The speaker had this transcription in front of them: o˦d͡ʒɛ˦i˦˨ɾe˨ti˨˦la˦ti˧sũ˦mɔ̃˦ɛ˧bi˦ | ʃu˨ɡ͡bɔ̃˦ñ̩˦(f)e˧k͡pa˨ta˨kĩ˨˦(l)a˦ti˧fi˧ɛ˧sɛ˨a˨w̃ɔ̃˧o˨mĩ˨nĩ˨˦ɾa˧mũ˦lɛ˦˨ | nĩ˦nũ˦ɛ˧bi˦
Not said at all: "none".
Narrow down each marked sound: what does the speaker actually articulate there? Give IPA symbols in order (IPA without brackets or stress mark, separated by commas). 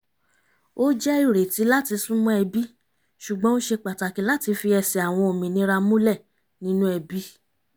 ʃ, l